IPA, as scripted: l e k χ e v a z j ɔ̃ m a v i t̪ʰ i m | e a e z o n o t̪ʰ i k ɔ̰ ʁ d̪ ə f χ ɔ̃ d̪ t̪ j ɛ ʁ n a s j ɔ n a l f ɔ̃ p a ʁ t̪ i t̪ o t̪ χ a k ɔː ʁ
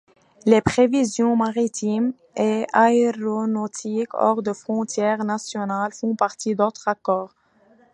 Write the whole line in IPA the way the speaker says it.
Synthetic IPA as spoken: l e p χ e v i z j ɔ̃ m a ʁ i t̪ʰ i m | e a e ʁ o n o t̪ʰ i k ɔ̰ ʁ d̪ ə f χ ɔ̃ t̪ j ɛ ʁ n a s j ɔ n a l f ɔ̃ p a ʁ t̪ i d̪ o t̪ χ a k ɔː ʁ

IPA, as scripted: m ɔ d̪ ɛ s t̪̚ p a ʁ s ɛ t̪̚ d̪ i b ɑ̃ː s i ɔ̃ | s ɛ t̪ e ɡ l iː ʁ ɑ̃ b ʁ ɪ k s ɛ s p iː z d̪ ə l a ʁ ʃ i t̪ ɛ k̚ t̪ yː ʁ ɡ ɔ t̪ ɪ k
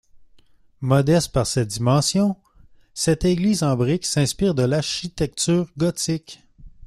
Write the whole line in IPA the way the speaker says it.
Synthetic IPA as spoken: m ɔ d̪ ɛ s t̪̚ p a ʁ s ɛ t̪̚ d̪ i m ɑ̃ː s j ɔ̃ | s ɛ t̪ e ɡ l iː z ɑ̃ b ʁ ɪ k s ɛ̃ s p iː ʁ d̪ ə l a ʁ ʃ i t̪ ɛ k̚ t̪ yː ʁ ɡ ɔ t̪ ɪ k

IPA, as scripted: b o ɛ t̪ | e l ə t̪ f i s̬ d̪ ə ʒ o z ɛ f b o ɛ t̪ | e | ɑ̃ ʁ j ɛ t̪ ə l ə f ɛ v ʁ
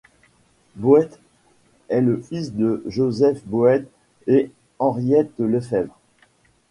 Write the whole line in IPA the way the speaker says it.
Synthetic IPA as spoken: b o ɛ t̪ | ɛ l ə f i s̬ d̪ ə ʒ o z ɛ f b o ɛ t̪ | e | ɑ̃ ʁ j ɛ t̪ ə l ə f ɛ v ʁ

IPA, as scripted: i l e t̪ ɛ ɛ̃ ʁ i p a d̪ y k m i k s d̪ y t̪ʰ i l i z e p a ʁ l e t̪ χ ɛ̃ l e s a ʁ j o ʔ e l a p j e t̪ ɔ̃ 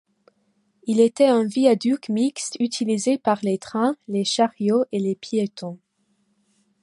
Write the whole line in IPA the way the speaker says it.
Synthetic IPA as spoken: i l e t̪ ɛ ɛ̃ v i a d̪ y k m i k s t̪ y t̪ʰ i l i z e p a ʁ l e t̪ χ ɛ̃ l e ʃ a ʁ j o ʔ e l e p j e t̪ ɔ̃

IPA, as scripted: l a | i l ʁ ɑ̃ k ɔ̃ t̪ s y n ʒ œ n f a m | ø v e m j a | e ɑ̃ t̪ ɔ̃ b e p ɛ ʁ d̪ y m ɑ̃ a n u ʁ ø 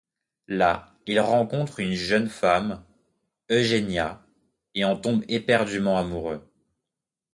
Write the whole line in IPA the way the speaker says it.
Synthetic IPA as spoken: l a | i l ʁ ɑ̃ k ɔ̃ t̪ χ y n ʒ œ n f a m | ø ʒ e n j a | e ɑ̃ t̪ ɔ̃ b e p ɛ ʁ d̪ y m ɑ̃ a m u ʁ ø

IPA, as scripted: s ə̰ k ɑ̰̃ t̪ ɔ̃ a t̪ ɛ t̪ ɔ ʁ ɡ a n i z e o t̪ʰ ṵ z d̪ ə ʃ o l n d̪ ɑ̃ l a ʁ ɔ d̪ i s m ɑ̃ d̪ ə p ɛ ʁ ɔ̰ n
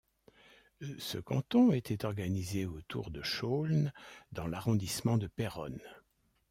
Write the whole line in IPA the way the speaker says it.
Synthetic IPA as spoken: s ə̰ k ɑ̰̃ t̪ ɔ̃ e t̪ ɛ t̪ ɔ ʁ ɡ a n i z e o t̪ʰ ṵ ʁ d̪ ə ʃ o l n d̪ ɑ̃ l a ʁ ɔ̃ d̪ i s m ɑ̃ d̪ ə p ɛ ʁ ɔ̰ n

